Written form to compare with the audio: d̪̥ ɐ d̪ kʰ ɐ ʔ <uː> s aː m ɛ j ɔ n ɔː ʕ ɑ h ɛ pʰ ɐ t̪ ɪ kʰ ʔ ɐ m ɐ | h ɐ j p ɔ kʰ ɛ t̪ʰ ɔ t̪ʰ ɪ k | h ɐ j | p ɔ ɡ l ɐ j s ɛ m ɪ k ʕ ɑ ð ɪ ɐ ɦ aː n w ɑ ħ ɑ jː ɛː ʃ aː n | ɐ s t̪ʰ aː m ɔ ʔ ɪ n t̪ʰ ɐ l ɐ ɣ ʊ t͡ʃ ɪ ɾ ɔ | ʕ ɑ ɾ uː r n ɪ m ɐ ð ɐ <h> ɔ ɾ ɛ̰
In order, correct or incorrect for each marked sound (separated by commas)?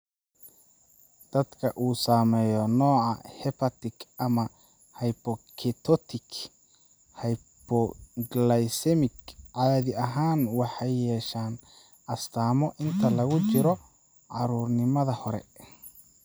correct, correct